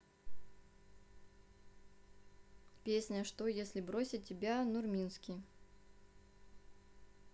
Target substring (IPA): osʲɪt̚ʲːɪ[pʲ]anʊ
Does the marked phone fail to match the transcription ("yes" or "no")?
yes